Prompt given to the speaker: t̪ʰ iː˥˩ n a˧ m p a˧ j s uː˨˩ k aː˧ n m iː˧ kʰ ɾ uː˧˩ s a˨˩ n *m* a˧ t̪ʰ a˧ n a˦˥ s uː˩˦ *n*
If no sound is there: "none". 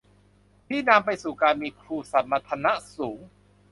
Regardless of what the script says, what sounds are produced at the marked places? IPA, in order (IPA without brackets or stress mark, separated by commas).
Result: m, ŋ